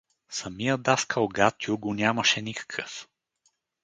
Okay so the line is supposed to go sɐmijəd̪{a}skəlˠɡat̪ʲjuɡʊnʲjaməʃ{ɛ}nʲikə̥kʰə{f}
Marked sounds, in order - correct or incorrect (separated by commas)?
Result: correct, correct, correct